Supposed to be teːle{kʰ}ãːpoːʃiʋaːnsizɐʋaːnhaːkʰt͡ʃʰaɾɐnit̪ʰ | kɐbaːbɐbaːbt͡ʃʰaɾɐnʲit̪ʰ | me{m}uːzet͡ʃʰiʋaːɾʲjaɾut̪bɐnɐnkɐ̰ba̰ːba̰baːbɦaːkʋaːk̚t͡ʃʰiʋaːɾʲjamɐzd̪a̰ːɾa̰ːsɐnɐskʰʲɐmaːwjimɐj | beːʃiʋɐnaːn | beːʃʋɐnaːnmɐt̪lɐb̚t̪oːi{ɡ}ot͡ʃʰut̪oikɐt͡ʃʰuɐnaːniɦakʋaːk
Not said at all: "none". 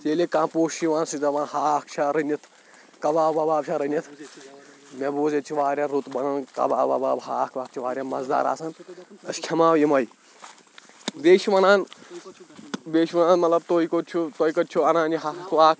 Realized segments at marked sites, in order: k, b, k

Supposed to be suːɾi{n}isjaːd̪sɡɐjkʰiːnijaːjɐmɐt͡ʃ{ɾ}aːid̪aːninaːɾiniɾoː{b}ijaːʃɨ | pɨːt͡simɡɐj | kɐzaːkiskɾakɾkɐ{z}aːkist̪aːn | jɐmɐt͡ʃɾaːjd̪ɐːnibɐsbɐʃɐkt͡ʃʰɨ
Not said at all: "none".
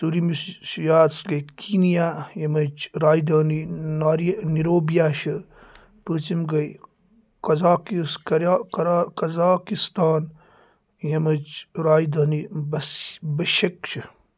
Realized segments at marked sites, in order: m, ɾ, b, z

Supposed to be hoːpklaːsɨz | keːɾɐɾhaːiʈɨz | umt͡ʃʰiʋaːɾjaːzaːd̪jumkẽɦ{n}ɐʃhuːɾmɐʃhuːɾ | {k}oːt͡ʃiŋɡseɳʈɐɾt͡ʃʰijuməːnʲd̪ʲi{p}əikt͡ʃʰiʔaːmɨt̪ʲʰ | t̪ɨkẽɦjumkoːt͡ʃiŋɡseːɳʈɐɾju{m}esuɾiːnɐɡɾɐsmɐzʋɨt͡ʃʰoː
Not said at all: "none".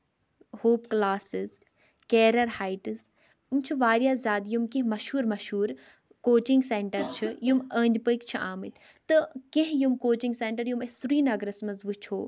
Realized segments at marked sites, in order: m, k, p, m

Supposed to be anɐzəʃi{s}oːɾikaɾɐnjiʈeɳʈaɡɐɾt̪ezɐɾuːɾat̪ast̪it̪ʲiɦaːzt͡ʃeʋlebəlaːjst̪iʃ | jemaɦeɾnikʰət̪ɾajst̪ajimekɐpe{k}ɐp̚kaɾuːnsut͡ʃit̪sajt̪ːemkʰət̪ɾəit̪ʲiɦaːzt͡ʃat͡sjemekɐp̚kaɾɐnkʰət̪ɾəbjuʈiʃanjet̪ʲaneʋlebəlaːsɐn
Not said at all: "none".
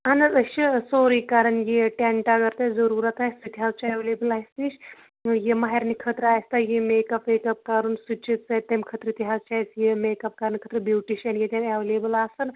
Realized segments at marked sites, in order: s, k

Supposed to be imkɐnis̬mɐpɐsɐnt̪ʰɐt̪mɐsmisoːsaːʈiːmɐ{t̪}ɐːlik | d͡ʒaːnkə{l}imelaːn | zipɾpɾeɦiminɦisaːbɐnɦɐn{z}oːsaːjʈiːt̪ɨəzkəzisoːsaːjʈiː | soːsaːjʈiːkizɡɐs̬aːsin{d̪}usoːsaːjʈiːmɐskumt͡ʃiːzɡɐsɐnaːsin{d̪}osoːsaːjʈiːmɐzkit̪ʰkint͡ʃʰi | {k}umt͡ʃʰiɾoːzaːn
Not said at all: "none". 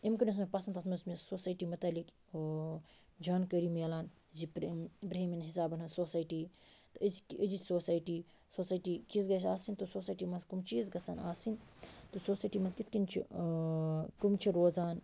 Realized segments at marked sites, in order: t̪, ɾ, s, t̪, t̪, k

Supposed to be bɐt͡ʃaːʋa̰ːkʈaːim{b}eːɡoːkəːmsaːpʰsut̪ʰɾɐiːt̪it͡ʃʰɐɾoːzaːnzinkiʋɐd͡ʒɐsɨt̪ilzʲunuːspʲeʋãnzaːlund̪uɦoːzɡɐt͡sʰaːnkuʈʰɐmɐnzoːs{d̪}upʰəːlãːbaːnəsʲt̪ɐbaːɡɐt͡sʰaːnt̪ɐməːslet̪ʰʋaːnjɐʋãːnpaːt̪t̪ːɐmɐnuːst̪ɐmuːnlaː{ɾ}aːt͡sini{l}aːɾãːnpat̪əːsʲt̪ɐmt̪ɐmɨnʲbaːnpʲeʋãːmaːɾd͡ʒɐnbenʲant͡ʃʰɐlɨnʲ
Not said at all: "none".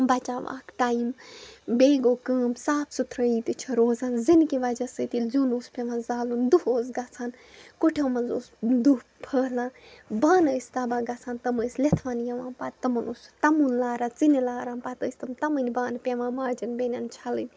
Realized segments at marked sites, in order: b, d̪, ɾ, l

